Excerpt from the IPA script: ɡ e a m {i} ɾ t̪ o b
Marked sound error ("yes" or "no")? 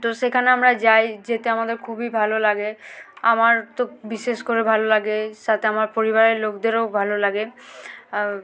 yes